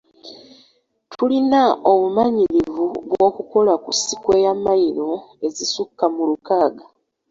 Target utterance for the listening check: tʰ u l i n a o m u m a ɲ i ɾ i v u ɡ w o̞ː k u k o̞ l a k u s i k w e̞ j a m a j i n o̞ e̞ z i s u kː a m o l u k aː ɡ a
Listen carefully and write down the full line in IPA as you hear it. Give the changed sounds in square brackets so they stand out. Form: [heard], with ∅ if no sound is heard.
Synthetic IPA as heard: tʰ u l i n a o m u m a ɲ i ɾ i v u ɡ w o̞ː k u k o̞ l a k u s i k w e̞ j a m a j i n o̞ e̞ z i s u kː a m [u] l u k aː ɡ a